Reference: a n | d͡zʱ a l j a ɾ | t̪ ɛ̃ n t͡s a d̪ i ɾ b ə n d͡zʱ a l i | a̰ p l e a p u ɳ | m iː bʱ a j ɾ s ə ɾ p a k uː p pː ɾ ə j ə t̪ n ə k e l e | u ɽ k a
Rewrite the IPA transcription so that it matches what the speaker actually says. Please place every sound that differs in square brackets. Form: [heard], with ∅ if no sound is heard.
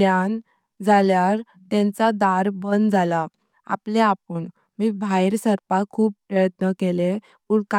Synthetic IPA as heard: a n | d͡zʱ a l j a ɾ | t̪ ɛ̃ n t͡s a d̪ [a] ɾ b ə n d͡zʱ a l [a] | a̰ p l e a p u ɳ | m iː bʱ a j ɾ s ə ɾ p a [kʰ] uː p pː ɾ ə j ə t̪ n ə k e l e | u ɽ k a